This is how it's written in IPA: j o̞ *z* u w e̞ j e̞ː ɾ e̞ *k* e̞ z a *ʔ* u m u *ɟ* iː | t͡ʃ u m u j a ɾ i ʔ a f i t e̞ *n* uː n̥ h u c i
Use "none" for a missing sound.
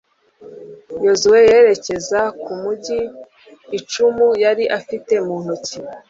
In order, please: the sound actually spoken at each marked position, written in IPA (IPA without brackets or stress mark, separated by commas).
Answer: z, c, k, ɟ, m